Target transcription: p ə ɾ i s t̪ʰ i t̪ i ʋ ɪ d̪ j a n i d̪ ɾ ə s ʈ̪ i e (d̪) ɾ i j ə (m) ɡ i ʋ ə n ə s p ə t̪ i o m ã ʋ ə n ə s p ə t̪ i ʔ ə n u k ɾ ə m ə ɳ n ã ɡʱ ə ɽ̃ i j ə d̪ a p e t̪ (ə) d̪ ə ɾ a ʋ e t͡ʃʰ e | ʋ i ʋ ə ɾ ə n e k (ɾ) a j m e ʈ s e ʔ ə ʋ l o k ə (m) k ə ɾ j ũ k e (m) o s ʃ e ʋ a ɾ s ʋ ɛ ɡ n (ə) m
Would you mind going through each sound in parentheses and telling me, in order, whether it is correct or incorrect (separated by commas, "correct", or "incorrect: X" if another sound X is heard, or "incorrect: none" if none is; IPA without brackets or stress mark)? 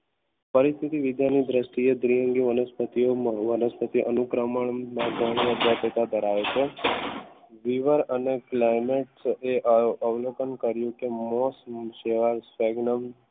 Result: correct, incorrect: ŋ, incorrect: a, incorrect: l, incorrect: n, correct, correct